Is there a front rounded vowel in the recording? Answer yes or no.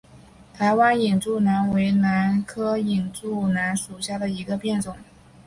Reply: no